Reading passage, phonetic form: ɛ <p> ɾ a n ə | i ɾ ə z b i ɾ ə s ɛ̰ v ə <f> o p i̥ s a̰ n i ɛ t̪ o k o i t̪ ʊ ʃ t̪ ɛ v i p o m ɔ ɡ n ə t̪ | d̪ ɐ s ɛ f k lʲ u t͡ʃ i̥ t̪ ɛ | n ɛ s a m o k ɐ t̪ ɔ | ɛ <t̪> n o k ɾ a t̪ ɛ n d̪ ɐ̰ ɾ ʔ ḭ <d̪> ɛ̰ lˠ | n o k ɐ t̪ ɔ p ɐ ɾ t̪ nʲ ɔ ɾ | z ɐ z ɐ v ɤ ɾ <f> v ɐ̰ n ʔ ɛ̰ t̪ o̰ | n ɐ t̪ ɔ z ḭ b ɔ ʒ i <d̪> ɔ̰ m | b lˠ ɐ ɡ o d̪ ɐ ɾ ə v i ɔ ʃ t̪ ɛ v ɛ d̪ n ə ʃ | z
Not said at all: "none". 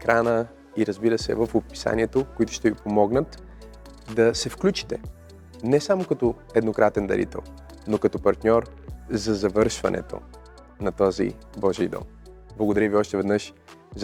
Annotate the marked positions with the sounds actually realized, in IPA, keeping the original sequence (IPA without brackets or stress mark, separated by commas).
k, f, d̪, t̪, ʃ, d̪